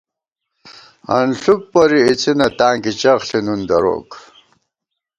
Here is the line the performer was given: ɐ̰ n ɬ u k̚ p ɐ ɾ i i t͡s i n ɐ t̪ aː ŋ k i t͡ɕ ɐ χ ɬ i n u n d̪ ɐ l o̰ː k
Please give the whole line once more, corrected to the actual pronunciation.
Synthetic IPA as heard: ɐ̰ n ɬ u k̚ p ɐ ɾ i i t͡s i n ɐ t̪ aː ŋ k i t͡ɕ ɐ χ ɬ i n u n d̪ ɐ ɾ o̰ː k